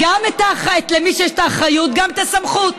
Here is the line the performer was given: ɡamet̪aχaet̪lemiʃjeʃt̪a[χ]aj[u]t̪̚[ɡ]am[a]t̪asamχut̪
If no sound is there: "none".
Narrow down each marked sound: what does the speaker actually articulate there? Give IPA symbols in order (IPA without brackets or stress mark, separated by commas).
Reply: χ, u, ɡ, e